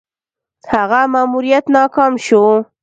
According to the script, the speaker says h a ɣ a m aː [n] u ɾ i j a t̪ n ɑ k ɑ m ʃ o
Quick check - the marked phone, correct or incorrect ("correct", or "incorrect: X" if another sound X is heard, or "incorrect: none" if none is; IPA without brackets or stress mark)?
incorrect: m